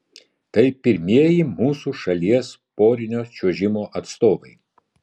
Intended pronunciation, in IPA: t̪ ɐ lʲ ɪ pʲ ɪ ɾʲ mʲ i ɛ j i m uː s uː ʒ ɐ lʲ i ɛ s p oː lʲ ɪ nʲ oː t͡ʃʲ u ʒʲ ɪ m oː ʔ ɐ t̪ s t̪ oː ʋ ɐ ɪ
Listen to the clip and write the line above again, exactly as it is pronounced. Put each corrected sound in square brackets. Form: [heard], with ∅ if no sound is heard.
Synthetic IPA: t̪ ɐ [∅] ɪ pʲ ɪ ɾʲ mʲ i ɛ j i m uː s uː [ʃ] ɐ lʲ i ɛ s p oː [ɾʲ] ɪ nʲ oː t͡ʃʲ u ʒʲ ɪ m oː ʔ ɐ t̪ s t̪ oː ʋ ɐ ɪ